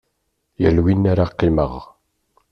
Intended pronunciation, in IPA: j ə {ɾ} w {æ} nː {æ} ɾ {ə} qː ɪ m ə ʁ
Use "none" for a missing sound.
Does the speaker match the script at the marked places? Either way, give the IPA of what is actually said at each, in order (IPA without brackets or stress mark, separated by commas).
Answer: l, i, a, a